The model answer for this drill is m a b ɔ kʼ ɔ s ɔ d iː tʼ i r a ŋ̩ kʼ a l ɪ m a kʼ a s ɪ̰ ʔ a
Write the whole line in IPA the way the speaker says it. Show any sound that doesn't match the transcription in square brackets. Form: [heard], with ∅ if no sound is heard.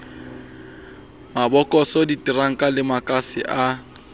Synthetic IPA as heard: m a b ɔ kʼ ɔ s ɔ d [i] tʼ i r a ŋ̩ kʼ a l ɪ m a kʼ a s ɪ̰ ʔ a

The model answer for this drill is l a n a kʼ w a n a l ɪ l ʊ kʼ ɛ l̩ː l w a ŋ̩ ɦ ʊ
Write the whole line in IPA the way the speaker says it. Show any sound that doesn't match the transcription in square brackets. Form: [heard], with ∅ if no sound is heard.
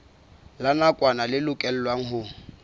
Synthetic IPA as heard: l a n a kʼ w a n a l ɪ l ʊ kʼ ɛ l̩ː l w a ŋ̩ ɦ ʊ

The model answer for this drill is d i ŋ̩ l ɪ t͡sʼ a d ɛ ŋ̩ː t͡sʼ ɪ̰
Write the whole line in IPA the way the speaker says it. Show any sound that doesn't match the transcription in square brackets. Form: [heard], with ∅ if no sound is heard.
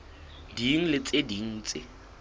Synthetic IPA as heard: d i ŋ̩ l ɪ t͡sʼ [e] d [i] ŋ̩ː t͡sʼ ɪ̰

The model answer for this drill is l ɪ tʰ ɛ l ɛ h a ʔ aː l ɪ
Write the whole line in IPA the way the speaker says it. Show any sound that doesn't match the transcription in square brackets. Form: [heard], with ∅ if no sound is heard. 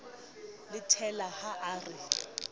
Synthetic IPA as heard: l ɪ tʰ ɛ l [a] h a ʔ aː [r] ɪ

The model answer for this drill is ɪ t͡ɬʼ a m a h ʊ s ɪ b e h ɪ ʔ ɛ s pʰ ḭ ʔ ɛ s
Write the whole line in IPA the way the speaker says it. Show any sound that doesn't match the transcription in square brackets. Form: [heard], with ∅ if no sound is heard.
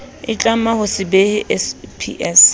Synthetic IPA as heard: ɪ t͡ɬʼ a m a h ʊ s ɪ b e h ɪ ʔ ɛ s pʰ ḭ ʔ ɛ s

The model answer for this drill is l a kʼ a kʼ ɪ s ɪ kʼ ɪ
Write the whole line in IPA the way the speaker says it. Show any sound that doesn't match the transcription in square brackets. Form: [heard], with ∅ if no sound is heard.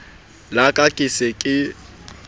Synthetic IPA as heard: l a kʼ a kʼ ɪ s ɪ kʼ ɪ

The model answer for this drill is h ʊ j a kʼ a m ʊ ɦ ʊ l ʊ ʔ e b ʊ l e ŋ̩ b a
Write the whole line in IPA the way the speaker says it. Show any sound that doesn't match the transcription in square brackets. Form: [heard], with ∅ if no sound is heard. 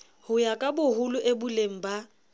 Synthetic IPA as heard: h ʊ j a kʼ a [b] ʊ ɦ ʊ l ʊ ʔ e b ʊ l e ŋ̩ b a

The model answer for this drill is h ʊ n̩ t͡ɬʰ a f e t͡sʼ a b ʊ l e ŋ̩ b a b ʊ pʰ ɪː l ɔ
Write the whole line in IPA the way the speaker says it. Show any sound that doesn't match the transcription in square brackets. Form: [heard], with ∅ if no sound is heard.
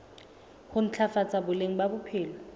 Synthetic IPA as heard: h ʊ n̩ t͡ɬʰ a f [a] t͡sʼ a b ʊ l e ŋ̩ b a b ʊ pʰ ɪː l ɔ

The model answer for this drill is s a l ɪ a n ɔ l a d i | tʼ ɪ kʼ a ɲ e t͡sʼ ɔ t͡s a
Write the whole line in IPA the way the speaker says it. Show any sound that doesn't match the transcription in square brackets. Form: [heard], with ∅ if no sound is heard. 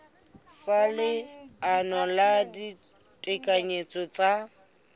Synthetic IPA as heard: s a l ɪ a n ɔ l a d i | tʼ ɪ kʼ a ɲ e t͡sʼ ɔ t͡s a

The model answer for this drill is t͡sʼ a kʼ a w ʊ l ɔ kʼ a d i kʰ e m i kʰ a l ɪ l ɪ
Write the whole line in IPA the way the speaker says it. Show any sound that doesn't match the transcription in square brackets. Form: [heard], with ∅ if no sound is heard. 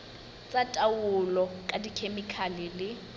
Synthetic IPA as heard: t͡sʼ a [tʼ] a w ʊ l ɔ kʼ a d i kʰ e m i kʰ a l ɪ l ɪ

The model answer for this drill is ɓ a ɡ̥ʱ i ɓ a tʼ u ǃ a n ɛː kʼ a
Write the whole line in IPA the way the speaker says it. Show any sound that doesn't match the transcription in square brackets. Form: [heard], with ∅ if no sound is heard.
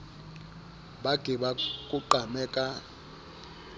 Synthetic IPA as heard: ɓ a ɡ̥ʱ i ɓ a [kʼ] u ǃ a [m] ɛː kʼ a

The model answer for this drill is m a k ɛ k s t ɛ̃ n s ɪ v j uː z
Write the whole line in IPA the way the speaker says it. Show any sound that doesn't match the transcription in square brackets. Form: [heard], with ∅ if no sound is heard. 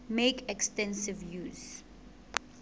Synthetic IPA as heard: m [e] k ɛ k s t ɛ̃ n s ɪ v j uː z

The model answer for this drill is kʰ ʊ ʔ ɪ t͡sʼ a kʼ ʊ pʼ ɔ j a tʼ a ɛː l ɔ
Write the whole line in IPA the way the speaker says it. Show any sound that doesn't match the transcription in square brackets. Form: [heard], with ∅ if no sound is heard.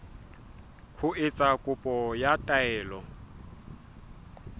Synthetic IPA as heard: kʰ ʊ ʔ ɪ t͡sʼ a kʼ ʊ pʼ ɔ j a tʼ a ɛː l ɔ

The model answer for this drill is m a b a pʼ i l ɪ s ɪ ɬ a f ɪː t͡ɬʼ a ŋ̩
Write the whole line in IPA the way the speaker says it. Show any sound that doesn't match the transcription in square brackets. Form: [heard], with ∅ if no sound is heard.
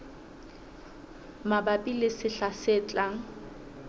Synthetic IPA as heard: m a b a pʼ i l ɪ s ɪ ɬ a [s] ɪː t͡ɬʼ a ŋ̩

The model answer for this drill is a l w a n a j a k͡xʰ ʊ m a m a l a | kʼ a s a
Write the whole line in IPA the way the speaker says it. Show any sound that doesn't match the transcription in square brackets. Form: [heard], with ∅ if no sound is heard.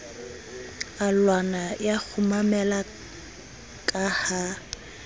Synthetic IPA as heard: a l w a n a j a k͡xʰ ʊ m a m [ɛ] l a | kʼ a [h] a

